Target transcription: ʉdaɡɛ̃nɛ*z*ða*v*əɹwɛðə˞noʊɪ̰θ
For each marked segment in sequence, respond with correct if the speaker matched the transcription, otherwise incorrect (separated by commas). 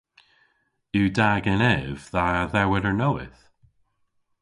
incorrect, incorrect